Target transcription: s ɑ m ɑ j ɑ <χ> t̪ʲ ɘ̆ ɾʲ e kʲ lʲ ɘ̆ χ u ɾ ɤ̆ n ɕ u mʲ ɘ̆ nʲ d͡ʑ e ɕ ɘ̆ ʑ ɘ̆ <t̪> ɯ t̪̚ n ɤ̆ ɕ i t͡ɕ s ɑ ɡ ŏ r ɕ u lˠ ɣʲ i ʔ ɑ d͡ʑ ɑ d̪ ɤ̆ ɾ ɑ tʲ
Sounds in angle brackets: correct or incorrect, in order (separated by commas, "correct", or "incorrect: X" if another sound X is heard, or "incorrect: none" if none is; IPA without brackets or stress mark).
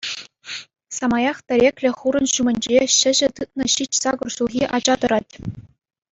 correct, correct